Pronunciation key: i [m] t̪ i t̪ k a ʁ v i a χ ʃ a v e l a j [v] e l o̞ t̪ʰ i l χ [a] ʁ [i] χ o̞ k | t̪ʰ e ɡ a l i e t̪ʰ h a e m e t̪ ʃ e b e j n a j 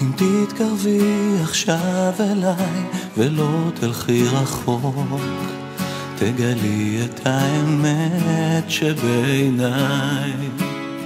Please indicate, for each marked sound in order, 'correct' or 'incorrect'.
correct, correct, incorrect: i, incorrect: a

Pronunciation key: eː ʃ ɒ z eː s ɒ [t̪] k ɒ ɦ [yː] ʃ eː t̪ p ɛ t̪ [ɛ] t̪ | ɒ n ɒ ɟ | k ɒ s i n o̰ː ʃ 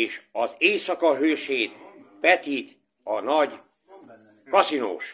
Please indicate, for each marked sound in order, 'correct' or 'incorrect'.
incorrect: none, incorrect: øː, incorrect: i

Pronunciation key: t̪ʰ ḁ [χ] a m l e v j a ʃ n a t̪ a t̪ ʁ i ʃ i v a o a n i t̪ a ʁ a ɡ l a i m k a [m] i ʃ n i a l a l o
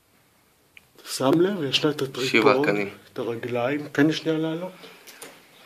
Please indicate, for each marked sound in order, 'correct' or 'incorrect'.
incorrect: s, incorrect: n

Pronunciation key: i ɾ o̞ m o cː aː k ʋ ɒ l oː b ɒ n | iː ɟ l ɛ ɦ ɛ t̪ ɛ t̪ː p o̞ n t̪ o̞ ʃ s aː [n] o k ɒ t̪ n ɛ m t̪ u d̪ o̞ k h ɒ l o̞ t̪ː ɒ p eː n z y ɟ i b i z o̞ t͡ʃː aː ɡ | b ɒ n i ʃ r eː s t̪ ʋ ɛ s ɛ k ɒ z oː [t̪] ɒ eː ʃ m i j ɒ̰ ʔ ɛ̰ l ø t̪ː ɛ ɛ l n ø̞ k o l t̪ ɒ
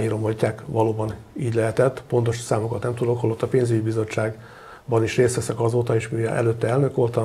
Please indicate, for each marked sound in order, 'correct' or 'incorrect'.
incorrect: m, correct

